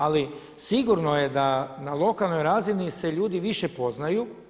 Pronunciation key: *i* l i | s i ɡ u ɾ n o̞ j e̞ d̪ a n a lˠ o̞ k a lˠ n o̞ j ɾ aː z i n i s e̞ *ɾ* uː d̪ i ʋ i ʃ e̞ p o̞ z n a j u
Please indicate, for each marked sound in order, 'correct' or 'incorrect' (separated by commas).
incorrect, incorrect